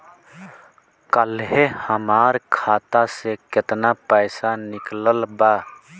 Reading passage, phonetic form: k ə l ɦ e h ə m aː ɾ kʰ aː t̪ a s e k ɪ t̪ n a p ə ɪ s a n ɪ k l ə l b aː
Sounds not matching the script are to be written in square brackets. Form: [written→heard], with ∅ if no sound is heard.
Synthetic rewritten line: k ə l ɦ e h ə m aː ɾ kʰ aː t̪ a s e k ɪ t̪ n a p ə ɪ s a n ɪ k l ə l b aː